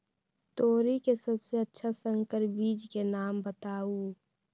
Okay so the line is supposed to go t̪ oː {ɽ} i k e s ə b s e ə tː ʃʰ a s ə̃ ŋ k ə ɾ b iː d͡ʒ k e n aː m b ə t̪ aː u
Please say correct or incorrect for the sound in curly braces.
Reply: incorrect